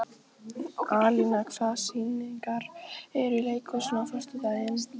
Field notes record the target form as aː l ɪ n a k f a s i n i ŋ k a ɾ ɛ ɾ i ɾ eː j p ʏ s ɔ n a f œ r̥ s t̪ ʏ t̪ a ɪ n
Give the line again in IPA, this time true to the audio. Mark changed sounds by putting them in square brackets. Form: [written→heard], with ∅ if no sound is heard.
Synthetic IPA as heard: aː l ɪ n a k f a s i n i ŋ k a ɾ ɛ ɾ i [ɾ→l] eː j [p→k] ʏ s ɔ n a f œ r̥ s t̪ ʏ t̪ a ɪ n